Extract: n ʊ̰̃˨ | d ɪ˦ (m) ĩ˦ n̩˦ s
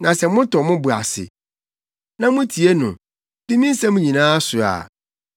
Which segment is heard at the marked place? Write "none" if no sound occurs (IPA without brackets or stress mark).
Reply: m